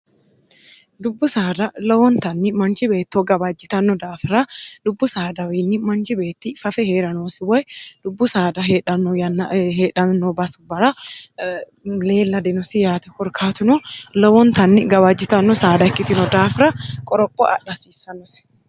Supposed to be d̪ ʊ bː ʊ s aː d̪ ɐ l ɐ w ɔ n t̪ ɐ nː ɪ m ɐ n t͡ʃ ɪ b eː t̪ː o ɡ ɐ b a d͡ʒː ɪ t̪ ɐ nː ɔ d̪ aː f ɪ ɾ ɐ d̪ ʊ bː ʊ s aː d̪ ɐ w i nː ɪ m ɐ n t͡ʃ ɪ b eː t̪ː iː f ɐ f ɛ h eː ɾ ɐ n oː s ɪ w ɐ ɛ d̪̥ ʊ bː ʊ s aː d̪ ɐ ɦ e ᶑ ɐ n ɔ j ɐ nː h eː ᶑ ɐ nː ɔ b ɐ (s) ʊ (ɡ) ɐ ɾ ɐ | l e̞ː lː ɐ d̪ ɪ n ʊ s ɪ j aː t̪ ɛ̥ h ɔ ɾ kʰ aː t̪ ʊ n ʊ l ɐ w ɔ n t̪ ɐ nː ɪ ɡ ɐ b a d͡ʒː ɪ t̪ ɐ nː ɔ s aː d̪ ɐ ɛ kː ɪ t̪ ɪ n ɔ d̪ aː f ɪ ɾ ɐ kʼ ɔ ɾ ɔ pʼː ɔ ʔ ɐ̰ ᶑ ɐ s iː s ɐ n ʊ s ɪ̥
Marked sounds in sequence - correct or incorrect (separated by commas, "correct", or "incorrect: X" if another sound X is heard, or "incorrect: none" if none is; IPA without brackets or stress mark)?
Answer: correct, incorrect: b